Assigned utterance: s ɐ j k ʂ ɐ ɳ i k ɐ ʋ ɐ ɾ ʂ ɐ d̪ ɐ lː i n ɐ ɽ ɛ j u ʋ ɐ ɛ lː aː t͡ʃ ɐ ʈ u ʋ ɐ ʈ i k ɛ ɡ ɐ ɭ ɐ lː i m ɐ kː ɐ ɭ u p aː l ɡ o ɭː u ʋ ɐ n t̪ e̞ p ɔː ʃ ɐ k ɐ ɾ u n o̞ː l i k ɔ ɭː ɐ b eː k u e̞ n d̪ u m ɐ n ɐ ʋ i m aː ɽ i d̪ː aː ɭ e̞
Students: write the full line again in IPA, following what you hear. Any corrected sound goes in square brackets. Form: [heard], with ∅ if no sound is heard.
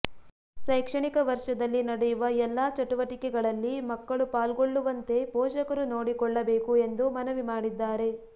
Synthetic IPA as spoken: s ɐ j k ʂ ɐ ɳ i k ɐ ʋ ɐ ɾ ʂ ɐ d̪ ɐ lː i n ɐ ɽ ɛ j u ʋ ɐ ɛ lː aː t͡ʃ ɐ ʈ u ʋ ɐ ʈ i k ɛ ɡ ɐ ɭ ɐ lː i m ɐ kː ɐ ɭ u p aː l ɡ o ɭː u ʋ ɐ n t̪ e̞ p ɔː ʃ ɐ k ɐ ɾ u n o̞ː [ɽ] i k ɔ ɭː ɐ b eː k u e̞ n d̪ u m ɐ n ɐ ʋ i m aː ɽ i d̪ː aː [ɾ] e̞